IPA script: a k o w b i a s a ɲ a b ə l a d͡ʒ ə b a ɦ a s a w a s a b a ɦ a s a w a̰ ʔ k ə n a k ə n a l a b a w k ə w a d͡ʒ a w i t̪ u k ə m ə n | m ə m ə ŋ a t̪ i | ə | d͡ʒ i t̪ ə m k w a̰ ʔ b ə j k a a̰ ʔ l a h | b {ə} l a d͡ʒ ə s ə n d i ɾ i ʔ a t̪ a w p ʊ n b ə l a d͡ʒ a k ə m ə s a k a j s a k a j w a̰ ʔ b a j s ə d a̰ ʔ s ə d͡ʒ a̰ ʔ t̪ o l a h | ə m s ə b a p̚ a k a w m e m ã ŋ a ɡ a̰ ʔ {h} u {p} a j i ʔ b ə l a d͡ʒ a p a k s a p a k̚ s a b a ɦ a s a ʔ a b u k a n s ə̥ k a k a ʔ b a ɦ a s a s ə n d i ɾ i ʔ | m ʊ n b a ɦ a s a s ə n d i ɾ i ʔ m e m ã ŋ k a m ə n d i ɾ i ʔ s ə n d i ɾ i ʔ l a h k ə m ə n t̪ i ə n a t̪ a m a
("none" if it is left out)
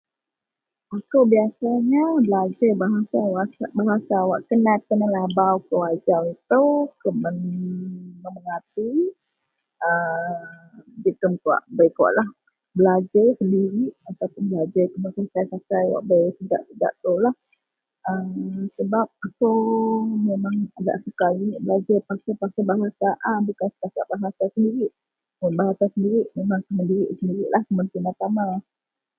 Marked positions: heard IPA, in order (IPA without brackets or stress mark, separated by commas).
ə, s, k